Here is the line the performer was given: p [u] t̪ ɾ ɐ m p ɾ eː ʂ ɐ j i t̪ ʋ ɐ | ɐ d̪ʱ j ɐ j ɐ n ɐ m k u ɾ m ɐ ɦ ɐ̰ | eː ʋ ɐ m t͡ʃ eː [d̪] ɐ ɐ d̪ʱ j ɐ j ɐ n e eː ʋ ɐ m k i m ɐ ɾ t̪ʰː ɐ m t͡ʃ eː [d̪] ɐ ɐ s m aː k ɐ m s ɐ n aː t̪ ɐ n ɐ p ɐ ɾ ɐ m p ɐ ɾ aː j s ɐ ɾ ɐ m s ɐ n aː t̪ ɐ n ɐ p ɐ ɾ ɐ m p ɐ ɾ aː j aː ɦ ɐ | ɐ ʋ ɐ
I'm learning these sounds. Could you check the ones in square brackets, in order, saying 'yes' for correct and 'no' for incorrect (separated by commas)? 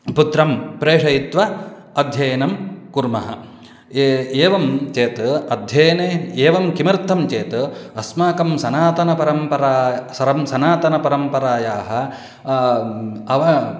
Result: yes, no, no